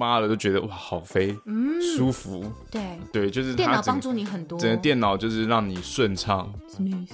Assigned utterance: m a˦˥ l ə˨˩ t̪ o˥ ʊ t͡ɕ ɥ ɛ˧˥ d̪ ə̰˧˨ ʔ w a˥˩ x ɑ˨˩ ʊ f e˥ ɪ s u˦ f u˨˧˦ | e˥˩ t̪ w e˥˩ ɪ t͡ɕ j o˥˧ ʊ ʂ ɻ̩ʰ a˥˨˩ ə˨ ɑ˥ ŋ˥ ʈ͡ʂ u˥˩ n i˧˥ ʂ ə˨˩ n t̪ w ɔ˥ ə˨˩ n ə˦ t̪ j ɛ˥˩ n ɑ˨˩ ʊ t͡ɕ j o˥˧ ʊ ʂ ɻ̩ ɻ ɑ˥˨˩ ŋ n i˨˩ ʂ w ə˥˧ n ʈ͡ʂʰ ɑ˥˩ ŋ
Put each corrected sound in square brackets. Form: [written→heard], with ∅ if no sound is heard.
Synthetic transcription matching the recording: m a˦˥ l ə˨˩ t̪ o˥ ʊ t͡ɕ ɥ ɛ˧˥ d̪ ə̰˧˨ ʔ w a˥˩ x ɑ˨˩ ʊ f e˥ ɪ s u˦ f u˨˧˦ | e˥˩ t̪ w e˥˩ ɪ t͡ɕ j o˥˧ ʊ ʂ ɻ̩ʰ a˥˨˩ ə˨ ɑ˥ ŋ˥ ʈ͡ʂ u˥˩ n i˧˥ [ʂ→x] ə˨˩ n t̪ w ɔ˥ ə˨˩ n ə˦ t̪ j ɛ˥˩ n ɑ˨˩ ʊ t͡ɕ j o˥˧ ʊ ʂ ɻ̩ ɻ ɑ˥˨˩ ŋ n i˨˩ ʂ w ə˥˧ n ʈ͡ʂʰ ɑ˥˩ ŋ